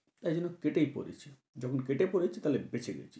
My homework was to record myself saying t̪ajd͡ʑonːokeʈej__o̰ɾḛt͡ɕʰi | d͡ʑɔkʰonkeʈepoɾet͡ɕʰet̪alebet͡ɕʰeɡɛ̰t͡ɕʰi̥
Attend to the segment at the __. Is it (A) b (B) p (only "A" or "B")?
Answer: B